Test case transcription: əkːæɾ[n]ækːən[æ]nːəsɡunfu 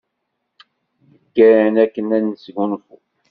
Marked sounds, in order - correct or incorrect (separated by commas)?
correct, correct